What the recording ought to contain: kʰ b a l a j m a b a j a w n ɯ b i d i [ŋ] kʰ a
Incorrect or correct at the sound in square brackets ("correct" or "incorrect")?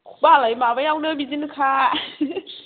incorrect